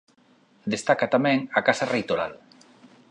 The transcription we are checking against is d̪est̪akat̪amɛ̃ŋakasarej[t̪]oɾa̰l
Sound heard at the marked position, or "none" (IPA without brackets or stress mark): t̪